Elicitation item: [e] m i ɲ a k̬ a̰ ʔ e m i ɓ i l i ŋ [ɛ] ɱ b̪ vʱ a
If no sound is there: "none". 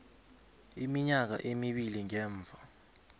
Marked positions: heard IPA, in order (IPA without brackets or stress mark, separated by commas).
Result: i, ɛː